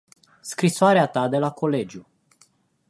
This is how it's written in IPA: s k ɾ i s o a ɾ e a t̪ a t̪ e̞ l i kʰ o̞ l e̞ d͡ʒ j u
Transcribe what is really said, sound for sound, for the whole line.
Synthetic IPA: s k ɾ i s o a ɾ e a t̪ a d̪ e̞ l a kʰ o̞ l e̞ d͡ʒ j u